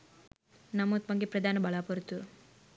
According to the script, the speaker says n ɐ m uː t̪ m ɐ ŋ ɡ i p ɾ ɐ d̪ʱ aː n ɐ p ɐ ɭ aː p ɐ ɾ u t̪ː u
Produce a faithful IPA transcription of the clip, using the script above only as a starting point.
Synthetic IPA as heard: n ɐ m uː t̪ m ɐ ŋ ɡ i p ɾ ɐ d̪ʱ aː n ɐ b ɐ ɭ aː p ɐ ɾ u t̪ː u